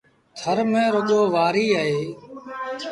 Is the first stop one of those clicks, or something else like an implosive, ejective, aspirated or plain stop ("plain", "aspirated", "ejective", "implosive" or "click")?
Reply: aspirated